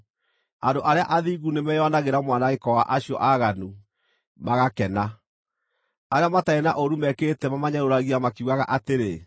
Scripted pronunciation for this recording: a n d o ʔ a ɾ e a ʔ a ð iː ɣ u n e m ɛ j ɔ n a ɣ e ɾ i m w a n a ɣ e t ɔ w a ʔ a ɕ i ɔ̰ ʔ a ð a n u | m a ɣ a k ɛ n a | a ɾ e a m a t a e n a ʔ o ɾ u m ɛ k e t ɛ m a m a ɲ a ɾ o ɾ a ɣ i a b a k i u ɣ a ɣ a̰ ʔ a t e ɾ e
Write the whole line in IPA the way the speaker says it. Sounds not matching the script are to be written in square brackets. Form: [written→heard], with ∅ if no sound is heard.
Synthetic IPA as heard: a n d o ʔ a ɾ e a ʔ a ð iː ɣ u n e m ɛ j ɔ n a ɣ e ɾ [i→a] m w a n a ɣ e [t→k] ɔ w a ʔ a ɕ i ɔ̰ ʔ a [ð→ɣ] a n u | m a ɣ a k ɛ n a | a ɾ e a m a t a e n a ʔ o ɾ u m ɛ k e t ɛ m a m a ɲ a ɾ o ɾ a ɣ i a [b→m] a k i u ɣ a ɣ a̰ ʔ a t e ɾ e